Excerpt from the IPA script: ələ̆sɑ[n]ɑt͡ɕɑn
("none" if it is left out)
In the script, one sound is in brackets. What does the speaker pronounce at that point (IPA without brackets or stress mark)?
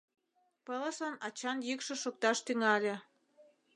n